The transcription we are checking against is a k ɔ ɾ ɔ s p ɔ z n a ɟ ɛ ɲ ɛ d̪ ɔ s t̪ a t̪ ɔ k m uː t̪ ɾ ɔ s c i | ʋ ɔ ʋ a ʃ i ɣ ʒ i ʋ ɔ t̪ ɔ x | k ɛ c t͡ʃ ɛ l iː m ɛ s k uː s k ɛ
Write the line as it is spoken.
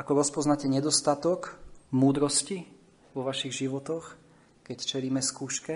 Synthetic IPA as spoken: a k ɔ ɾ ɔ s p ɔ z n a c ɛ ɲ ɛ d̪ ɔ s t̪ a t̪ ɔ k m uː d̪ ɾ ɔ s c i | ʋ ɔ ʋ a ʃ i ɣ ʒ i ʋ ɔ t̪ ɔ x | k ɛ c t͡ʃ ɛ l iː m ɛ s k uː ʃ k ɛ